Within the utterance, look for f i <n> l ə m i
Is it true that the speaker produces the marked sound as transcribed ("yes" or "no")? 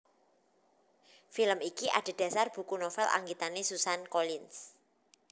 no